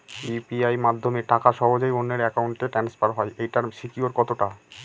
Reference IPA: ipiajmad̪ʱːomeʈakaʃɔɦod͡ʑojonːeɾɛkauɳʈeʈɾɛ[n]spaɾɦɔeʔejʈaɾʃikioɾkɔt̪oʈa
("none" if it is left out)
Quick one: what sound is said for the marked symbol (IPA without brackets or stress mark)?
n